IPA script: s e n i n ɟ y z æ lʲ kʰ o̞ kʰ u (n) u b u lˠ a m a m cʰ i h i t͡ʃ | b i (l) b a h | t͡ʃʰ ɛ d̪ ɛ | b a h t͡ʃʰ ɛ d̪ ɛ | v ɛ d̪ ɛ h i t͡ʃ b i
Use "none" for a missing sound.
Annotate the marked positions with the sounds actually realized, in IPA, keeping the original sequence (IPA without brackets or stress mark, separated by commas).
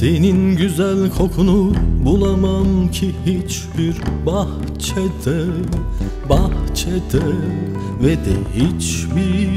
n, ɾ